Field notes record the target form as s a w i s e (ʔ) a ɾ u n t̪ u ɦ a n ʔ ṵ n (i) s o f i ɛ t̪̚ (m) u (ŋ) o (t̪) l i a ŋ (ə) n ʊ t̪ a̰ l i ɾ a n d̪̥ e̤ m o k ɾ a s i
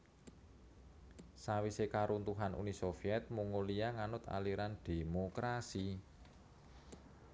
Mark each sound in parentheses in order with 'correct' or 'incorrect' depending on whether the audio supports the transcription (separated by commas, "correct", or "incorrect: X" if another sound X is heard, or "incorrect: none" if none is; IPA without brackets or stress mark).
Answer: incorrect: k, correct, correct, correct, incorrect: none, incorrect: a